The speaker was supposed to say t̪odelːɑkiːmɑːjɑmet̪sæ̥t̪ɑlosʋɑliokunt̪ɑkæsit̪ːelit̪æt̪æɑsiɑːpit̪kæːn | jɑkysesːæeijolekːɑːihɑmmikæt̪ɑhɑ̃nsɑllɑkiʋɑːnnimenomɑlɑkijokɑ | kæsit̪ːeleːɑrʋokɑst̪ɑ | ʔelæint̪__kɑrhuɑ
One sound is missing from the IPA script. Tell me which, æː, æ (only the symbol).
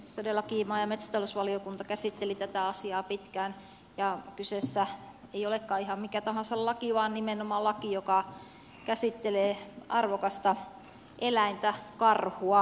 æ